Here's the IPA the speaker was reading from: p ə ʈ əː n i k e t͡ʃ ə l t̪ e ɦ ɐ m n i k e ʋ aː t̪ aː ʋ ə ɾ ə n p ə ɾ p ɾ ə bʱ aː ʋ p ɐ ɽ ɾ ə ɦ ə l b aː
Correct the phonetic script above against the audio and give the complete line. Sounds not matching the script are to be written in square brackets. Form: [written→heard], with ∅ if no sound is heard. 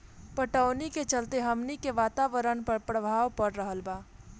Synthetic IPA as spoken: p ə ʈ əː n i k e t͡ʃ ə l t̪ e ɦ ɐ m n i k e ʋ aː t̪ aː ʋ ə ɾ ə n p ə ɾ p ɾ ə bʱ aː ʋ p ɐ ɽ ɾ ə ɦ ə l b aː